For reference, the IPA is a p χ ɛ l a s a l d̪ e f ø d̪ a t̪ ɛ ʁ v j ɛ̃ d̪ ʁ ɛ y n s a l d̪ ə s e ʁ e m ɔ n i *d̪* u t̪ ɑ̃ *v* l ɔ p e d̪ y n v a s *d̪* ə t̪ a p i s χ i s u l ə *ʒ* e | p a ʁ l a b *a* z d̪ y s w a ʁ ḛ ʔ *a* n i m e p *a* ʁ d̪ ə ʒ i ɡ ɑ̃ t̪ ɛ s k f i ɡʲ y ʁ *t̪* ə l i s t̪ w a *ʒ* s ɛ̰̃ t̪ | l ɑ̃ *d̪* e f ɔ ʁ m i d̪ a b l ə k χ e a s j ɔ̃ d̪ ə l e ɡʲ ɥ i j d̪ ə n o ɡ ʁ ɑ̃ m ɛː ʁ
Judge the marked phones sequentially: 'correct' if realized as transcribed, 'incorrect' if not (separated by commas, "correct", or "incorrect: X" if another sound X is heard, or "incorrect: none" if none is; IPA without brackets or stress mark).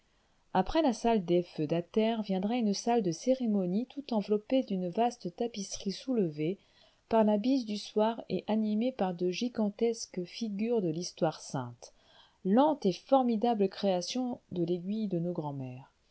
incorrect: t̪, correct, incorrect: t̪, incorrect: v, incorrect: i, correct, correct, incorrect: d̪, incorrect: ʁ, incorrect: t̪